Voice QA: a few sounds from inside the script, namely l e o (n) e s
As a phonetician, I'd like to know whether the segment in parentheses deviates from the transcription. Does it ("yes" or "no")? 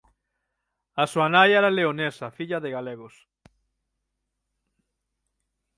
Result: no